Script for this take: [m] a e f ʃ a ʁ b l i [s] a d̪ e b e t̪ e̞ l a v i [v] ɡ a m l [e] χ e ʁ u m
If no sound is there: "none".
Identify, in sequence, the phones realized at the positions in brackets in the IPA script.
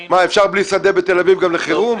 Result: m, s, v, e

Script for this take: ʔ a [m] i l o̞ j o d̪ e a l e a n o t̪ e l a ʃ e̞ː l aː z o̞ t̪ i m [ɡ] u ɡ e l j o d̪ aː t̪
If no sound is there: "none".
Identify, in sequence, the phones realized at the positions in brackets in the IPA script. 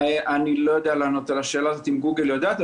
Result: n, ɡ

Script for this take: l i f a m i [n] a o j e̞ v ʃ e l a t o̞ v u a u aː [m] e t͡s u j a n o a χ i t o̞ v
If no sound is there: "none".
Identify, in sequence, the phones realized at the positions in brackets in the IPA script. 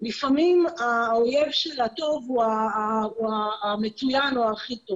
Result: m, m

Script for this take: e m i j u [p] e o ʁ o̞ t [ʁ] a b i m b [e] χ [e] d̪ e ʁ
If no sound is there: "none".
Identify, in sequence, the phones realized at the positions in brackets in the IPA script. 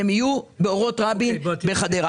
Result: b, ʁ, e, a

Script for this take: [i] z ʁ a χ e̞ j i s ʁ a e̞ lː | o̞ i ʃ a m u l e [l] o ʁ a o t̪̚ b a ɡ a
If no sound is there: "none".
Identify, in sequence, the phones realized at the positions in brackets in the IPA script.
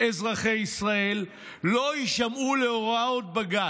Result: e, none

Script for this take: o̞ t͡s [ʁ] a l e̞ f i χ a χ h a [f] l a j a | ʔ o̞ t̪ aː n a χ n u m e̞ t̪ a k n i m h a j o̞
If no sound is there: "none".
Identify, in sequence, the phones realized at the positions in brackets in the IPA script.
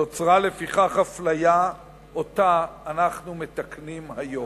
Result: ʁ, f

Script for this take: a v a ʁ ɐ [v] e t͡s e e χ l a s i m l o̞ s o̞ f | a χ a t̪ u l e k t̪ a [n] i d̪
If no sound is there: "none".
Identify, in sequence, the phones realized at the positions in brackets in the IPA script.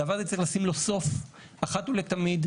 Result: z, m

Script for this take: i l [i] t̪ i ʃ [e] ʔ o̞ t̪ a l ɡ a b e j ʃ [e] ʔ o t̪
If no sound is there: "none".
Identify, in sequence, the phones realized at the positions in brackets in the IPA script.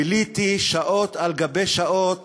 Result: i, a, a

